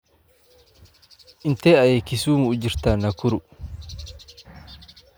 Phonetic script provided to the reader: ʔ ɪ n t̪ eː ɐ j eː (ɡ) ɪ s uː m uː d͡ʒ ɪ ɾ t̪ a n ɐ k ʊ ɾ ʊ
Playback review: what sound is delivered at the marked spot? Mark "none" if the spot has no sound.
k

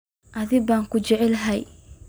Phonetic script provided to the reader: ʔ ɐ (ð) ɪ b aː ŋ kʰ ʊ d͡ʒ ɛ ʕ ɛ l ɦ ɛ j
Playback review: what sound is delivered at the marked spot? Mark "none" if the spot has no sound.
ð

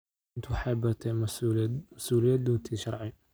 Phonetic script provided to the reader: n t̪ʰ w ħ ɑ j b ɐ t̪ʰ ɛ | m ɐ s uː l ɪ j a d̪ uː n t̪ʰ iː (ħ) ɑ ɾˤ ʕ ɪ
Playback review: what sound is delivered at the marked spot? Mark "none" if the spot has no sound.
ʃ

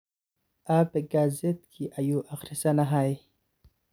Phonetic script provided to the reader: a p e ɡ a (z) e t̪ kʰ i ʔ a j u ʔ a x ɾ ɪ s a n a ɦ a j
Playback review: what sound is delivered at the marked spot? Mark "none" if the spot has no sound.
z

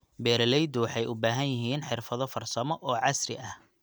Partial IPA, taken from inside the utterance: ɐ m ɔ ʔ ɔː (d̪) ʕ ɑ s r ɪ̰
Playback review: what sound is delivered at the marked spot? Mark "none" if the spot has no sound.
none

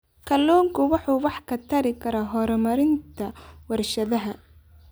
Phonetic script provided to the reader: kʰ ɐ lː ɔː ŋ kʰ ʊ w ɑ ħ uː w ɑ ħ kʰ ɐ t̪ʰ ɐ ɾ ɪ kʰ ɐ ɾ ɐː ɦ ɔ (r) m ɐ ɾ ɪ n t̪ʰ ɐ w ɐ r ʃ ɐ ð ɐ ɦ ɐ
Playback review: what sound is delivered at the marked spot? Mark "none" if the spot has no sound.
ɾ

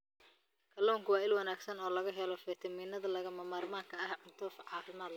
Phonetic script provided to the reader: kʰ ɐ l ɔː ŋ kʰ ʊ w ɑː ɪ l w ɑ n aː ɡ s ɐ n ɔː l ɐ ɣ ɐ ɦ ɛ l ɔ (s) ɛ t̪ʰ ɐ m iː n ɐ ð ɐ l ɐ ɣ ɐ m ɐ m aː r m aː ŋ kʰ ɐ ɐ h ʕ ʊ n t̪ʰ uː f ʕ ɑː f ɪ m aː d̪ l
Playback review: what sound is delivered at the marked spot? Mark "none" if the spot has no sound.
f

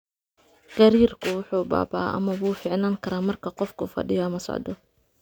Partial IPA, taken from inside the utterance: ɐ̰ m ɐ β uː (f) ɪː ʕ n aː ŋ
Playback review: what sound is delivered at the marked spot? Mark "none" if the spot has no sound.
f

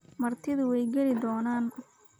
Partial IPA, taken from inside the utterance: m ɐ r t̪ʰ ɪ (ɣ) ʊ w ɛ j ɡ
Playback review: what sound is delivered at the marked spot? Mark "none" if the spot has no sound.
ð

